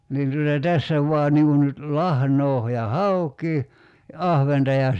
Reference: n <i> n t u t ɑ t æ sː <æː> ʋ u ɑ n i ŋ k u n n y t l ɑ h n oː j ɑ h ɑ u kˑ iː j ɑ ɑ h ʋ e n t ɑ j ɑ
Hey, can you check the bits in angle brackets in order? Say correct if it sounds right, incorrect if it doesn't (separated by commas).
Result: incorrect, incorrect